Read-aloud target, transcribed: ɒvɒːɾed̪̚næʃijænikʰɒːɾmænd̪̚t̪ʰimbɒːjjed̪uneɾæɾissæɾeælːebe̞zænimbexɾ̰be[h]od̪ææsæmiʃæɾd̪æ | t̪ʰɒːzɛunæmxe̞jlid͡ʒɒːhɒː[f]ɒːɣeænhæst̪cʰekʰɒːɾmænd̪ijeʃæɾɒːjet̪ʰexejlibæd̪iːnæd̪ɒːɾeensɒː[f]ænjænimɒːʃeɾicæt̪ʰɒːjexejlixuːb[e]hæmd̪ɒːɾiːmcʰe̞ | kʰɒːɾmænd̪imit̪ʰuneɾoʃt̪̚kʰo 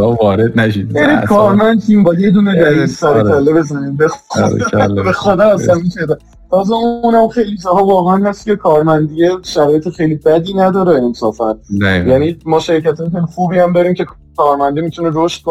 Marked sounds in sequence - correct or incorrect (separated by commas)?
incorrect, incorrect, correct, incorrect